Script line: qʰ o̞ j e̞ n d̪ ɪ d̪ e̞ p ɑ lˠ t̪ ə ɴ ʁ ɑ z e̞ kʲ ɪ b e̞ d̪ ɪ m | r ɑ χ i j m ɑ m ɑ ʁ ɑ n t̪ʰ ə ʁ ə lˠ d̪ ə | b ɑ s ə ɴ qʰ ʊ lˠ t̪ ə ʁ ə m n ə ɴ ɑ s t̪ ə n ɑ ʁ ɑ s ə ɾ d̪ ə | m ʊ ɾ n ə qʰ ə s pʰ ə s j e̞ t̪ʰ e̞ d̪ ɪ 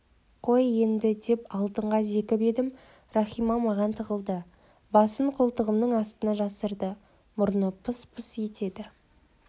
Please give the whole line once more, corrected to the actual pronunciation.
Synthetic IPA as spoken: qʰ o̞ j e̞ n d̪ ɪ d̪ e̞ p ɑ lˠ t̪ ə ɴ ʁ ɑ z e̞ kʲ ɪ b e̞ d̪ ɪ m | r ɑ χ i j m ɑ m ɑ ʁ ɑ n t̪ʰ ə ʁ ə lˠ d̪ ə | b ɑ s ə ɴ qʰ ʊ lˠ t̪ ə ʁ ə m n ə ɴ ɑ s t̪ ə n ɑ ʒ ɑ s ə ɾ d̪ ə | m ʊ ɾ n ə pʰ ə s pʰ ə s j e̞ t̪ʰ e̞ d̪ ɪ